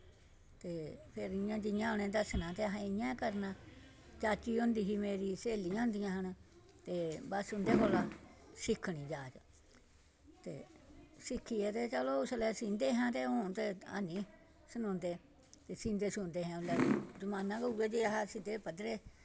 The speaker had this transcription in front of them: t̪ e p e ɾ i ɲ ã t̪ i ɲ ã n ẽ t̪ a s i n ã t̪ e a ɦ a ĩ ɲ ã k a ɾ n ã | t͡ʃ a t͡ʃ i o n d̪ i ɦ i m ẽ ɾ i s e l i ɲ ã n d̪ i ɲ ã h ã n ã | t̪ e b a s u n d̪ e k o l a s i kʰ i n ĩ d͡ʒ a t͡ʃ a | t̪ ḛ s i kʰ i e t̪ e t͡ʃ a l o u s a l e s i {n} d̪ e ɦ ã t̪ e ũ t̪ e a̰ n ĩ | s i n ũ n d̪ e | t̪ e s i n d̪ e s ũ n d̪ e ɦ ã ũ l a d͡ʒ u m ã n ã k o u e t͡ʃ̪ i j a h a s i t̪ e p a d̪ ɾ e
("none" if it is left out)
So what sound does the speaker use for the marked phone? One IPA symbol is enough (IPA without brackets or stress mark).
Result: n